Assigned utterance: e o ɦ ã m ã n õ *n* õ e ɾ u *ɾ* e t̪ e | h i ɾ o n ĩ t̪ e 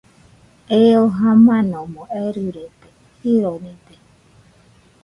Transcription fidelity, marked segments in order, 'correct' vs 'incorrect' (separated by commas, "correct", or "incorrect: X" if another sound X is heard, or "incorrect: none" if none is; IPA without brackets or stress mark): incorrect: m, correct